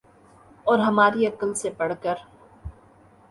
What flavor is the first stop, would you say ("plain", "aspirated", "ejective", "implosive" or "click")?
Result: plain